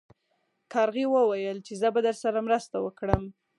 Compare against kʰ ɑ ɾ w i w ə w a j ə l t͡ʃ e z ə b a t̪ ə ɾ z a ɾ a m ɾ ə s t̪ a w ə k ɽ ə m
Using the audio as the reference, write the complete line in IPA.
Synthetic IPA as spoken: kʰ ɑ ɾ ɣ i w ə w a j ə l t͡ʃ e z ə b a d̪ ə ɾ s a ɾ a m ɾ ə s t̪ a w ə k ɽ ə m